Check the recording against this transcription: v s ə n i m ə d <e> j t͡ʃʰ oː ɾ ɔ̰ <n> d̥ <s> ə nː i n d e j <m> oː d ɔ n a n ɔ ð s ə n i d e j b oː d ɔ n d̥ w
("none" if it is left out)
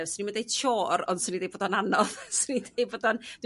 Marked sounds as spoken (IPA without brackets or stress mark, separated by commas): e, n, s, b